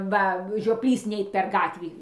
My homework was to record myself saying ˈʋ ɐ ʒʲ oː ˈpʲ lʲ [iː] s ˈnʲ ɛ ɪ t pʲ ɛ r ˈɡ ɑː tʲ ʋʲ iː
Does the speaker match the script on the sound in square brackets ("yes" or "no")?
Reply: yes